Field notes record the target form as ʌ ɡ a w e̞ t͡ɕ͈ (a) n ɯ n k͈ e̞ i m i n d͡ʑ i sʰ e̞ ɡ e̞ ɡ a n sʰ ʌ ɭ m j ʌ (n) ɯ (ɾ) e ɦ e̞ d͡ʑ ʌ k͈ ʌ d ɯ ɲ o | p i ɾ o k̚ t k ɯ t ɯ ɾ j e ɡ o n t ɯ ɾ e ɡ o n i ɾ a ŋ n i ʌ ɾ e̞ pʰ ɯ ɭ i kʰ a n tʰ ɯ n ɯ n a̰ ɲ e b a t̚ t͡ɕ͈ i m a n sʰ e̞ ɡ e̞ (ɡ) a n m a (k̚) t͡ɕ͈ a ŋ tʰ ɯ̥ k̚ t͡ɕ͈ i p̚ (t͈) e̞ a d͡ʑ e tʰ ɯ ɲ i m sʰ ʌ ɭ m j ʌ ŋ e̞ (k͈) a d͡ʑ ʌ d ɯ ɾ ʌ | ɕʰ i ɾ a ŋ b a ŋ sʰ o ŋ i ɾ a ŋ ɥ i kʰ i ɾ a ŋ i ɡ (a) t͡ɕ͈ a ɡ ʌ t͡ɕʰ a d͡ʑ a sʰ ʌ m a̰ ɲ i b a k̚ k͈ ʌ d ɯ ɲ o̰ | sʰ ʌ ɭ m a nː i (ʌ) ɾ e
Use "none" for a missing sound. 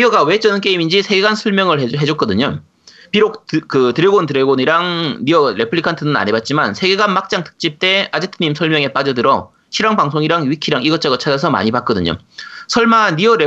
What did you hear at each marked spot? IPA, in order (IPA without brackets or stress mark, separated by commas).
ʌ, ŋ, ɭ, ɡ, k̚, t͈, p͈, ʌ, ʌ